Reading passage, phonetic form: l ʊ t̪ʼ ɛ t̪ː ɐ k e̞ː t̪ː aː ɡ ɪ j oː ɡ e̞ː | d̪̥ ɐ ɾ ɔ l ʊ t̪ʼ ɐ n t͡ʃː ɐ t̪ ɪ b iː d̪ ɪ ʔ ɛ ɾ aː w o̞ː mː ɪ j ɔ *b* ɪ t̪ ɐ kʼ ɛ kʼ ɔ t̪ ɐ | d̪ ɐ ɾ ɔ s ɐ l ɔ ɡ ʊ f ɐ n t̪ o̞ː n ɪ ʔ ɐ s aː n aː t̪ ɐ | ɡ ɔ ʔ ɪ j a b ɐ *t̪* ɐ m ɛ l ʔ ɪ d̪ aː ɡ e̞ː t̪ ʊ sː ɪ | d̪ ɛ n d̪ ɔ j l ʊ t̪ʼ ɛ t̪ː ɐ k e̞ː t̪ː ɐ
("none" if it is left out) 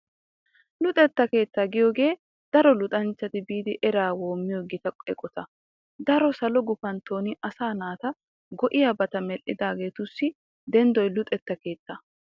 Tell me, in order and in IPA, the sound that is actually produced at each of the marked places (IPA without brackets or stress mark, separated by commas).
ɡ, t̪